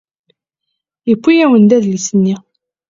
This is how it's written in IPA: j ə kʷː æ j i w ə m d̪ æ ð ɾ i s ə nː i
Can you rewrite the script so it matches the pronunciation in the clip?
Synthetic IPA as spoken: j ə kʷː i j æ w ə n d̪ æ ð l i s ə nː i